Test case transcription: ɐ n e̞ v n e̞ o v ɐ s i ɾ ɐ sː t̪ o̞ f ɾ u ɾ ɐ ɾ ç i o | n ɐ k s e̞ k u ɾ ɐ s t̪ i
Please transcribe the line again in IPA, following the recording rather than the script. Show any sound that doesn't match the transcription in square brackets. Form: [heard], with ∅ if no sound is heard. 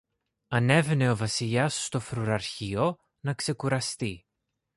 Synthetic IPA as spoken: ɐ n e̞ v n e̞ o v ɐ s i [ʎ] ɐ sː t̪ o̞ f ɾ u ɾ ɐ ɾ ç i o | n ɐ k s e̞ k u ɾ ɐ s t̪ i